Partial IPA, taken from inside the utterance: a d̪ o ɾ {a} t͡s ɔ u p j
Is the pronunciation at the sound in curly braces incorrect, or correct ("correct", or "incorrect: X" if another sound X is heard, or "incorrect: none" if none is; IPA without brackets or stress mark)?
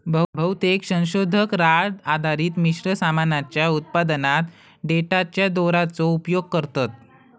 correct